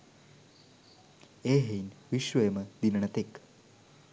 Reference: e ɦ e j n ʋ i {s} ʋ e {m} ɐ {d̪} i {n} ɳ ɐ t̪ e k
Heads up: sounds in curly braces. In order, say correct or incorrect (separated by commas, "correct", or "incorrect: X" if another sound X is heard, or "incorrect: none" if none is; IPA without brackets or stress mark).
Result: incorrect: ʃ, correct, correct, correct